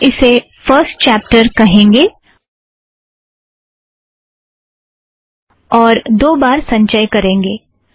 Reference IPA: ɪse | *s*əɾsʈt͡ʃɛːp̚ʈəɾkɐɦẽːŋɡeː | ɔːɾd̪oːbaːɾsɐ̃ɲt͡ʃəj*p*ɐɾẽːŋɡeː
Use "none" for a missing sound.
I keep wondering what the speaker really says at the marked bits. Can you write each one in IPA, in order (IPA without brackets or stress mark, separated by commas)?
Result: f, k